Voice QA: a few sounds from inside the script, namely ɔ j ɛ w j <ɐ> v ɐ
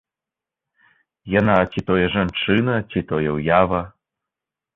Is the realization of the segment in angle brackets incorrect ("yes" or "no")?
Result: yes